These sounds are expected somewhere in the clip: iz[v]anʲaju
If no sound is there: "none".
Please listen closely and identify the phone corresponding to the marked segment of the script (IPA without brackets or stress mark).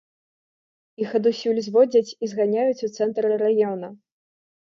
ɣ